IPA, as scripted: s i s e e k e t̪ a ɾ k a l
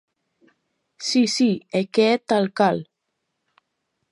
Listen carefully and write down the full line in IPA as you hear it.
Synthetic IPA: s i s i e k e t̪ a l k a l